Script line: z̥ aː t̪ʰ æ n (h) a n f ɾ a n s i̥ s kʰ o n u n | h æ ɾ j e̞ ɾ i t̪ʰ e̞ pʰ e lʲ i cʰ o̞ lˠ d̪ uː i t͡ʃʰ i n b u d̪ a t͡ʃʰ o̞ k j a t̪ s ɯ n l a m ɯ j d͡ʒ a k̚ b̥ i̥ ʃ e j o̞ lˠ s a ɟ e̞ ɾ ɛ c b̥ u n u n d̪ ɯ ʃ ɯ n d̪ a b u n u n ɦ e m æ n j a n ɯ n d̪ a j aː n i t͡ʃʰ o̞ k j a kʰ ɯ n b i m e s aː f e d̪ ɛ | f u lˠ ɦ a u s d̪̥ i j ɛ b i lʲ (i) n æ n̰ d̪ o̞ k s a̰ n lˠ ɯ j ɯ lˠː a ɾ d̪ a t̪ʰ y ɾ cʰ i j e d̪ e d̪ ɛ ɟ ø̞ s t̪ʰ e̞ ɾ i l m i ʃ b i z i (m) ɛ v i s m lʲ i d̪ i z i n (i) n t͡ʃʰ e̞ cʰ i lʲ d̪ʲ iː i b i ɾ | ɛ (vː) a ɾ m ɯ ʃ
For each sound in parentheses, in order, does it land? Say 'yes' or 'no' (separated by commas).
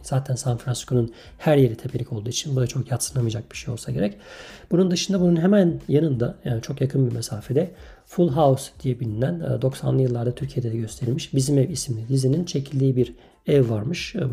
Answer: no, yes, yes, yes, yes